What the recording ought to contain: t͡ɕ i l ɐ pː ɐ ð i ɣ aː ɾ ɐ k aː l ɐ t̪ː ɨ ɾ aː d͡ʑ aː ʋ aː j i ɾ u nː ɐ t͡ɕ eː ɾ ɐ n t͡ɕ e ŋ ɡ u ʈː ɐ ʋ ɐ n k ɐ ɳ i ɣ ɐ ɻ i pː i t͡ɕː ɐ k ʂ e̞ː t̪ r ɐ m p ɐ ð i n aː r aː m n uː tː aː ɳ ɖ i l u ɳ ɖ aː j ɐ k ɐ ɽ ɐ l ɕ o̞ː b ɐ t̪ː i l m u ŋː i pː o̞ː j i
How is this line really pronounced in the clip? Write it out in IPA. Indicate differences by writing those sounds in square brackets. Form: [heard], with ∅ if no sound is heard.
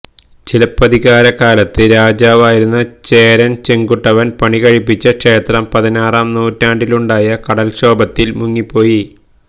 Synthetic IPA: t͡ɕ i l ɐ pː ɐ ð i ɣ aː ɾ ɐ k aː l ɐ t̪ː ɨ ɾ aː d͡ʑ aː ʋ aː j i ɾ u nː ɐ t͡ɕ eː ɾ ɐ n t͡ɕ e ŋ ɡ u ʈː ɐ ʋ ɐ n [p] ɐ ɳ i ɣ ɐ ɻ i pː i t͡ɕː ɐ k ʂ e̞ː t̪ r ɐ m p ɐ ð i n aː r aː m n uː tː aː ɳ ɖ i l u ɳ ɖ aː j ɐ k ɐ ɽ ɐ l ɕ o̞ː b ɐ t̪ː i l m u ŋː i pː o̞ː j i